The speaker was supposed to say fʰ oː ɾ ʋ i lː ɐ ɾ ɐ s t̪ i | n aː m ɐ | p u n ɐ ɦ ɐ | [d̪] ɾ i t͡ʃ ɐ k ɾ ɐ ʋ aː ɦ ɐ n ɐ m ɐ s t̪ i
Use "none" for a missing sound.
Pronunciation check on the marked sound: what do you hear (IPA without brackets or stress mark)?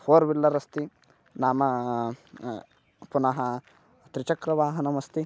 t̪